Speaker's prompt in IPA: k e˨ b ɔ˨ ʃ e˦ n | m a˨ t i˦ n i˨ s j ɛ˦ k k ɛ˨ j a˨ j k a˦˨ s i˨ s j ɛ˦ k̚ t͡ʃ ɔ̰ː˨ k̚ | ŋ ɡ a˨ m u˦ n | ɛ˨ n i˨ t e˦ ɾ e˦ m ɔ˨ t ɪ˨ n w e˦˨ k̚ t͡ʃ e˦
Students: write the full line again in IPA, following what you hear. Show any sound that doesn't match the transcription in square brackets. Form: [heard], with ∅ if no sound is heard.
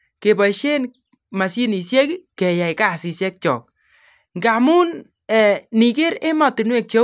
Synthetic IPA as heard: k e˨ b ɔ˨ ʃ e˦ n | m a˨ [s] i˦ n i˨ s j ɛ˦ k k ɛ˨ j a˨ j k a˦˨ s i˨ s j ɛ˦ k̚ t͡ʃ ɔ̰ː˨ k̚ | ŋ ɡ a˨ m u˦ n | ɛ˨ n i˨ [k] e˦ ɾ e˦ m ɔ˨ t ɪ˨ n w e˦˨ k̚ t͡ʃ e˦